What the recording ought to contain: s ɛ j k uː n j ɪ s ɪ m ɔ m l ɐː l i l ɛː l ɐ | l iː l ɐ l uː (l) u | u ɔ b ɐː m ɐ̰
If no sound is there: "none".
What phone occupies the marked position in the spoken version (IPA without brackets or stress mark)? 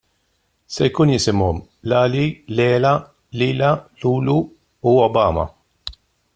l